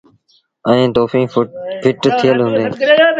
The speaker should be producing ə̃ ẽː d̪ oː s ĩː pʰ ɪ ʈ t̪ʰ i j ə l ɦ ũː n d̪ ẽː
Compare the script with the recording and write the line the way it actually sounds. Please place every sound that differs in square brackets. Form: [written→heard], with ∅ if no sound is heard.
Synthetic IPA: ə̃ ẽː [d̪→t̪] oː [s→f] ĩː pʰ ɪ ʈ t̪ʰ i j ə l ɦ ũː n d̪ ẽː